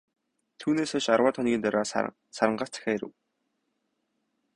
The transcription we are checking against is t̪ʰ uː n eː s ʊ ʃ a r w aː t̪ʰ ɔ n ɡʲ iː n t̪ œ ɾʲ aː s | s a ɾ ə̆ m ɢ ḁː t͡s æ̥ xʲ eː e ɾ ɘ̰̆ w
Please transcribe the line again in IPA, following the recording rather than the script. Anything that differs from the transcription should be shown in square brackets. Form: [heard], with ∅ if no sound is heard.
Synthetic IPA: t̪ʰ uː n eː s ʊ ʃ a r w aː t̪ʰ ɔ n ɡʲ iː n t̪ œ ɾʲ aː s | s a ɾ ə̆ [ɴ] ɢ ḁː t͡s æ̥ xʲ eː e ɾ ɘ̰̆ w